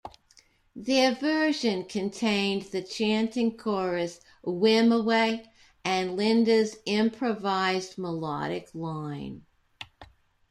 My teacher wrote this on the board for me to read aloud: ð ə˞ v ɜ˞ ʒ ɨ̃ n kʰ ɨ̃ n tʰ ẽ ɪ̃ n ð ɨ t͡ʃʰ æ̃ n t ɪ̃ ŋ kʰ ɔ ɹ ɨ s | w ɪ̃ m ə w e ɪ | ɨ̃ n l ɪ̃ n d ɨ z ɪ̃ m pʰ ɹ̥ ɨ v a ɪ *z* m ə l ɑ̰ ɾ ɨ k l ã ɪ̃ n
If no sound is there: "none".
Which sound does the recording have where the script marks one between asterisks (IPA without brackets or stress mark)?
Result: z